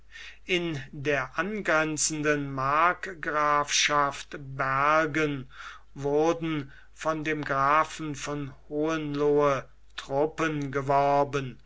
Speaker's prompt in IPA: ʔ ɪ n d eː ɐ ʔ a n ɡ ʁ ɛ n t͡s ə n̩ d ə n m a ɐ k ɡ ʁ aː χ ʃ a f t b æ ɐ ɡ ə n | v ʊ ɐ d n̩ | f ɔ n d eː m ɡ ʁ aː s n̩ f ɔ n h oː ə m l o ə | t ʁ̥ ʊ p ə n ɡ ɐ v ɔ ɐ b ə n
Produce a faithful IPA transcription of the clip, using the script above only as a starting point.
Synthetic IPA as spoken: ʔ ɪ n d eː ɐ ʔ a n ɡ ʁ ɛ n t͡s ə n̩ d ə n m a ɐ k ɡ ʁ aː f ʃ a f t b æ ɐ ɡ ə n | v ʊ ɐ d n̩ | f ɔ n d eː m ɡ ʁ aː f n̩ f ɔ n h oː ə n l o ə | t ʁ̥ ʊ p ə n ɡ ə v ɔ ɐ b ə n